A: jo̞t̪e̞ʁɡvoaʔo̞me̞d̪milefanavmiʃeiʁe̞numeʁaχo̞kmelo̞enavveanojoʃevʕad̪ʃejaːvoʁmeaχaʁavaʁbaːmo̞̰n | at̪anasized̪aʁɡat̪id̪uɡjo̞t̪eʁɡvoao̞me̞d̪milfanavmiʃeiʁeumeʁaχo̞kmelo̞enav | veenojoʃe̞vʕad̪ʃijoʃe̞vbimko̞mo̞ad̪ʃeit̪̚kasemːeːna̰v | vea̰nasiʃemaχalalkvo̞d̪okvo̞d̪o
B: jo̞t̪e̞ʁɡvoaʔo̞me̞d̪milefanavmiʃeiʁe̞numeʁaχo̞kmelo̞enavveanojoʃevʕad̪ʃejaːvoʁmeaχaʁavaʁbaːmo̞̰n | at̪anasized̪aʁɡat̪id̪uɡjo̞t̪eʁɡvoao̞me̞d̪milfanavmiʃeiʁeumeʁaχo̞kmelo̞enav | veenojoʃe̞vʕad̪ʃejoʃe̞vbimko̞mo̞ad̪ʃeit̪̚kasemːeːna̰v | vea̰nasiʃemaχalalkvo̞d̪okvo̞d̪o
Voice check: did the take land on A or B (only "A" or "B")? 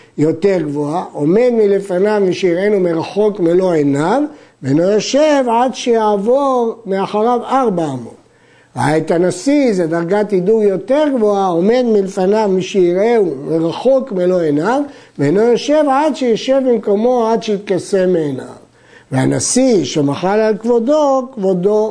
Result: B